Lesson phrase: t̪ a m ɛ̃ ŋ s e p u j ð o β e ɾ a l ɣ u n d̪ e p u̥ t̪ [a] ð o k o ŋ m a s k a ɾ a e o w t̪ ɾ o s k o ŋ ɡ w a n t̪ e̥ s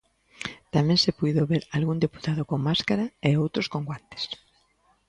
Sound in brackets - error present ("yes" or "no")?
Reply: no